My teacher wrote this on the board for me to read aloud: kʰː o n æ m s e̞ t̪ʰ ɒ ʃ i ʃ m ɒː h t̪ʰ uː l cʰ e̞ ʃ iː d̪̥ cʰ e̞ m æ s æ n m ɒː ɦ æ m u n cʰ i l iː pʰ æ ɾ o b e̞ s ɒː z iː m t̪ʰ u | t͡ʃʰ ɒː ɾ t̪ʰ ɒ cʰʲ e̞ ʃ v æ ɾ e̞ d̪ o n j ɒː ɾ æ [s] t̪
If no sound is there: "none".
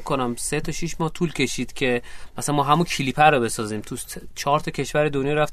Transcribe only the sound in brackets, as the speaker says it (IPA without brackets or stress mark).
f